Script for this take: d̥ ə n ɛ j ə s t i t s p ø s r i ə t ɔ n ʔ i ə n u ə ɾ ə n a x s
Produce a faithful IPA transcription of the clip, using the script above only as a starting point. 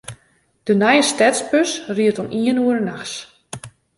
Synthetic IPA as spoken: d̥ ə n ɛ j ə s t ɛ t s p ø s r i ə t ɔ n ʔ i ə n u ə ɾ ə n a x s